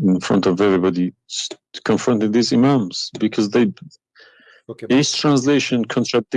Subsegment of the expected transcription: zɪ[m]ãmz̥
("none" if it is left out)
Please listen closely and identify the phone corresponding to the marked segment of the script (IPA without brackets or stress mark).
m